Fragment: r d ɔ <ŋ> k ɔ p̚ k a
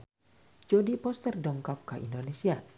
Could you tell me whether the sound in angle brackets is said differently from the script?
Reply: no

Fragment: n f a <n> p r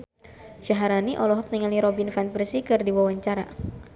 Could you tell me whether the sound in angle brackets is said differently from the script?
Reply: no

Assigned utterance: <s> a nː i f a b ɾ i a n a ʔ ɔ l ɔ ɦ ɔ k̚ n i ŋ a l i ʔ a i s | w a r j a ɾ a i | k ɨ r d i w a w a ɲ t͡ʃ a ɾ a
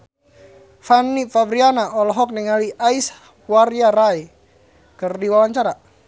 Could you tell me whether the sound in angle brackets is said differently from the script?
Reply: yes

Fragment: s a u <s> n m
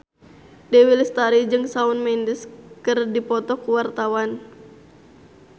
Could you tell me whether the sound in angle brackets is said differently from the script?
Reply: yes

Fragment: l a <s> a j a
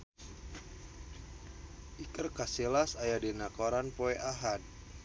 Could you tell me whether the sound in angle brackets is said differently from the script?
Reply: no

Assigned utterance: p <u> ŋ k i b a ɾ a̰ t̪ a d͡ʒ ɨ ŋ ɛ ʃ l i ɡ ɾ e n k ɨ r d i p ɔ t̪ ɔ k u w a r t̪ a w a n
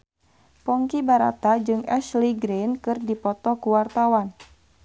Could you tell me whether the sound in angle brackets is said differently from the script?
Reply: yes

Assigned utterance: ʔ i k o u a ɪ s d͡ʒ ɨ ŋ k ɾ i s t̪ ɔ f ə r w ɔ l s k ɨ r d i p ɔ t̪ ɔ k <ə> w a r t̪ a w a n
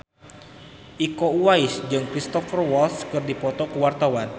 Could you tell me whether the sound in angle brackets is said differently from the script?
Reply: no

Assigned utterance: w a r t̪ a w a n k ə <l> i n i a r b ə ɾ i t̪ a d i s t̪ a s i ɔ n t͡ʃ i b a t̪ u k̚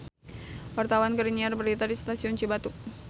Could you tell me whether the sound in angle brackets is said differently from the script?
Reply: yes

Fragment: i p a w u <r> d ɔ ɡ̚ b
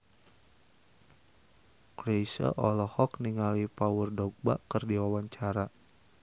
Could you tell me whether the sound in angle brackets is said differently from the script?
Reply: no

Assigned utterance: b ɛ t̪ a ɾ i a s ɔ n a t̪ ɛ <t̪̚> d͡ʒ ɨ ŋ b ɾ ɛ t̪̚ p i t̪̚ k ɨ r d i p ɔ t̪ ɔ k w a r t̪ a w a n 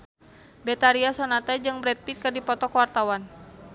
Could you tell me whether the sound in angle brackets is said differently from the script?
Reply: yes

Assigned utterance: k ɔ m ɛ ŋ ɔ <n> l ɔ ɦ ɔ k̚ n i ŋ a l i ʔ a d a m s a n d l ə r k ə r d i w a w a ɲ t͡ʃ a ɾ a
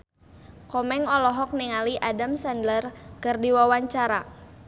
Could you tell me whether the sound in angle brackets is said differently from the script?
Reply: yes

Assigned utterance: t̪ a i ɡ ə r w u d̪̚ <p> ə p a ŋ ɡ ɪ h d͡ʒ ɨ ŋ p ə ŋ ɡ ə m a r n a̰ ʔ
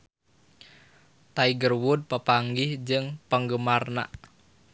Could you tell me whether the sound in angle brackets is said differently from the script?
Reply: no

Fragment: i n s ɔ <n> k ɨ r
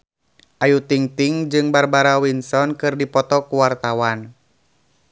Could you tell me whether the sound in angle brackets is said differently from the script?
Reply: no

